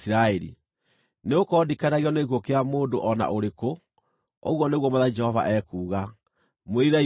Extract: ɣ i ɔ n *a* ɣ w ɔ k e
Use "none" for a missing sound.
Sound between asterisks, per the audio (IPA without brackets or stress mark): e